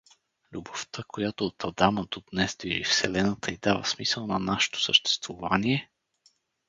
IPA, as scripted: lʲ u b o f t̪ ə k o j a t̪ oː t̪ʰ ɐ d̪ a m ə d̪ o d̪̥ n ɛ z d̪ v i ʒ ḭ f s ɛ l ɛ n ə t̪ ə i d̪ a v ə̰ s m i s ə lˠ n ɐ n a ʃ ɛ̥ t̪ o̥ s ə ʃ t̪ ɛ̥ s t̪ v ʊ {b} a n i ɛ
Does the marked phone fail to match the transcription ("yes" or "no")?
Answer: yes